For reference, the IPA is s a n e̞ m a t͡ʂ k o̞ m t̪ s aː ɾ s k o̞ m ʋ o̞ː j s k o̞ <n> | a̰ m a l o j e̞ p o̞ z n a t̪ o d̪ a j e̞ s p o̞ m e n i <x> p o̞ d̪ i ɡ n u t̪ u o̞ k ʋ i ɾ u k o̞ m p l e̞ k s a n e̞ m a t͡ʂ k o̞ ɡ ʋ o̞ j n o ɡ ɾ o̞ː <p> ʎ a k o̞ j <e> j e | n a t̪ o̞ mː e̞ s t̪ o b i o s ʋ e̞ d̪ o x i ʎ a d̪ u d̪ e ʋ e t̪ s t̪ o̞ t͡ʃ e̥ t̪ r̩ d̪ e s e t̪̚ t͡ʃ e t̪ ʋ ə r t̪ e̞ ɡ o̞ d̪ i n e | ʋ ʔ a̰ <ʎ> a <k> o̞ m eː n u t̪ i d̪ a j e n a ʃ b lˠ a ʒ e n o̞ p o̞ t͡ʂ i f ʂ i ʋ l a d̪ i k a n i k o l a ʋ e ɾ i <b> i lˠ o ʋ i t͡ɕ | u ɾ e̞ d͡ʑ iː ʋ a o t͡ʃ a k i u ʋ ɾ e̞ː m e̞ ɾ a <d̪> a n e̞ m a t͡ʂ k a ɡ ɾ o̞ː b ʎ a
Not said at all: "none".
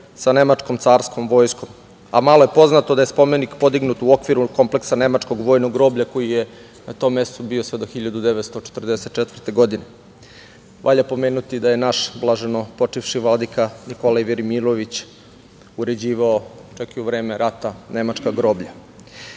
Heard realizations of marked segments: m, k, b, i, ʎ, p, m, t̪

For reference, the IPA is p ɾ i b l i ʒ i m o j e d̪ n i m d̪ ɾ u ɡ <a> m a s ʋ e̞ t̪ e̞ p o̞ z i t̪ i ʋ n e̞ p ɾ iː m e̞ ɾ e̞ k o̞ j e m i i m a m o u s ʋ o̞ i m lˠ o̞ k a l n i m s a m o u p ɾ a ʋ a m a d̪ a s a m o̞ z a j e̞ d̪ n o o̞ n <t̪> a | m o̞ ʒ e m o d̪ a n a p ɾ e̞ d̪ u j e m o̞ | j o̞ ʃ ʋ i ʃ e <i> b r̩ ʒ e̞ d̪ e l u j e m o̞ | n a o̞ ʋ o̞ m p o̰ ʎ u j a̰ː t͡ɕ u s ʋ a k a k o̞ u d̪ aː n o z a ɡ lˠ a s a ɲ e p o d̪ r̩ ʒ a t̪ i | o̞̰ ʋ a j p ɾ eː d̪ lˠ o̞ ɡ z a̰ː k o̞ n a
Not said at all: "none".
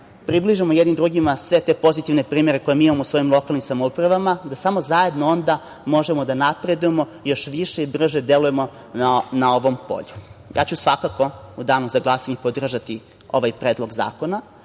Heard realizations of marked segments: i, d̪, i

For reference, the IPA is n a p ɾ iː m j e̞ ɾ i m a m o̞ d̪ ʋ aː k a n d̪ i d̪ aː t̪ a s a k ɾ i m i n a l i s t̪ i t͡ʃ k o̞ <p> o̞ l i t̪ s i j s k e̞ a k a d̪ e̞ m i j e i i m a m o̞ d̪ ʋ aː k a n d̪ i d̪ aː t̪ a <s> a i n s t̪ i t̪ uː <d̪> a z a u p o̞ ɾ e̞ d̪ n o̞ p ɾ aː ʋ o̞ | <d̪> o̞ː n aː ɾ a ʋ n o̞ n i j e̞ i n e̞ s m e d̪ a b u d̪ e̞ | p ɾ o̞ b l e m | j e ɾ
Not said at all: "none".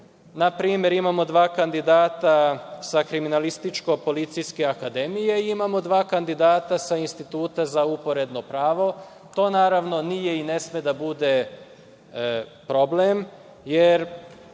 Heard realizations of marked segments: p, s, t̪, t̪

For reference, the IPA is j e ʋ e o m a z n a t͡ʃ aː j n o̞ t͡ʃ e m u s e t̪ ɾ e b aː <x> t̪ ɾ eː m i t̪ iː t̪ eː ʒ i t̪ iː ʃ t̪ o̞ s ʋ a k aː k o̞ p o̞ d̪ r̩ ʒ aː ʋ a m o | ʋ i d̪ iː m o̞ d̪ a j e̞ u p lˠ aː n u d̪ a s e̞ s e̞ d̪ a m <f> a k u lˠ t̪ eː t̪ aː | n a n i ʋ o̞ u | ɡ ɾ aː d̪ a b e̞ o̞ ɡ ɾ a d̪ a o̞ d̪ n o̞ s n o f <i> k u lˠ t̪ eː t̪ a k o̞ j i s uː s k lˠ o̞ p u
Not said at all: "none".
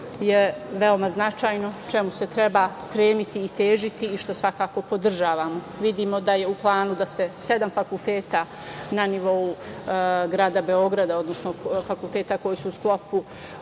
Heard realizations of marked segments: s, f, a

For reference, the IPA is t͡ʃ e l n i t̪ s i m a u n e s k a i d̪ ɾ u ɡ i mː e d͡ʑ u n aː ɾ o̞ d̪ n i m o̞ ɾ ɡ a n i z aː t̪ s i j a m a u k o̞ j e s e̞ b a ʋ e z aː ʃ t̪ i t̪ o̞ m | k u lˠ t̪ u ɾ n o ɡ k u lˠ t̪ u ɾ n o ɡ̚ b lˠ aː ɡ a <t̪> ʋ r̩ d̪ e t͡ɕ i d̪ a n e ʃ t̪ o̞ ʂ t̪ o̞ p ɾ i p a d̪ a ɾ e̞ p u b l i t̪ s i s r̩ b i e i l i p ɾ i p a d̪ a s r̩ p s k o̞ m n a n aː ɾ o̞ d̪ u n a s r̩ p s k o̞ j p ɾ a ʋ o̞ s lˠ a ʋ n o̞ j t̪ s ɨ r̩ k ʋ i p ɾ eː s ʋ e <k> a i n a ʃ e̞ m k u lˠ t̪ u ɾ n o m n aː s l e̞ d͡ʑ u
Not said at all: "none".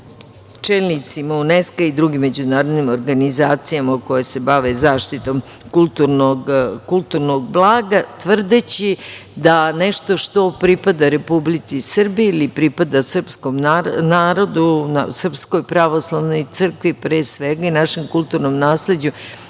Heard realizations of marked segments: t̪, ɡ

